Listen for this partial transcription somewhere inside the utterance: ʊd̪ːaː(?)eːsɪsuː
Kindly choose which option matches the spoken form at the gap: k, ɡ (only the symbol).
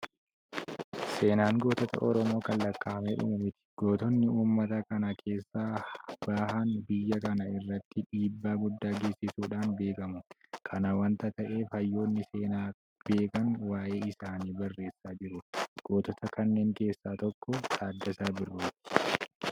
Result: ɡ